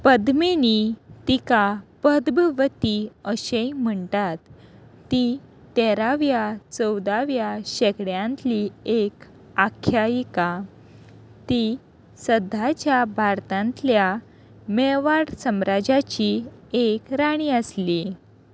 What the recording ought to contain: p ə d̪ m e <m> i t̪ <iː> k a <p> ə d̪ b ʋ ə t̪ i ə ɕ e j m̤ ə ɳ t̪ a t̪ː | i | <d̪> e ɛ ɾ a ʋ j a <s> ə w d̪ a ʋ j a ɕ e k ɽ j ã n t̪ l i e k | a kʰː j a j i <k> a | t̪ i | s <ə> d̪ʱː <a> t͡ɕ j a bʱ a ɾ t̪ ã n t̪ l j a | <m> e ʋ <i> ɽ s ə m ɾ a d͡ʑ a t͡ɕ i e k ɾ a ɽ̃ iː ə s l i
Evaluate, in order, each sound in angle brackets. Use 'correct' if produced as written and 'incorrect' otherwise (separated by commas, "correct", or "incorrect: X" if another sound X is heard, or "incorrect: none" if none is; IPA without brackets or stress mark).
incorrect: n, incorrect: i, correct, incorrect: t̪, incorrect: t͡s, correct, correct, correct, correct, incorrect: a